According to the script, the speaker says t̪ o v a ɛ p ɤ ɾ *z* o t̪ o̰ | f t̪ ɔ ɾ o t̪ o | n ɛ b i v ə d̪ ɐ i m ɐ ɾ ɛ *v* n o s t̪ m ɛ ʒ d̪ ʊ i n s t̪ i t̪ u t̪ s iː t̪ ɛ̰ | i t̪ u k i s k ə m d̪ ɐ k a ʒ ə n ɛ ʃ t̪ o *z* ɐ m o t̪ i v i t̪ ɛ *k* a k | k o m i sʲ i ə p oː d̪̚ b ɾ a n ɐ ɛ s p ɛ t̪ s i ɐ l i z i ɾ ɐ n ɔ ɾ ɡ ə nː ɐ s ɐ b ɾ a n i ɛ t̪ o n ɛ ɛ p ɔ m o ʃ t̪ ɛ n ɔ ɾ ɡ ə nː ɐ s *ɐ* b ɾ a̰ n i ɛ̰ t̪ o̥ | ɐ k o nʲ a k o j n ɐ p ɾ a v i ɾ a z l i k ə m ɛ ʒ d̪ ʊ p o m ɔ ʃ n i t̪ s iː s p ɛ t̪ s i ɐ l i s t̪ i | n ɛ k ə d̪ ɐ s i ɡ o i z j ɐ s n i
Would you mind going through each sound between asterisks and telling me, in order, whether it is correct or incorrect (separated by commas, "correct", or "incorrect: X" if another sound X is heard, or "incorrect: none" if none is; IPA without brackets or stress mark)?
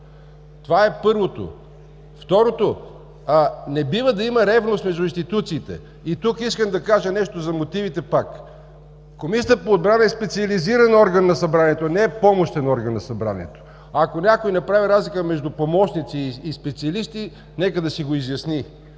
incorrect: v, correct, correct, incorrect: p, correct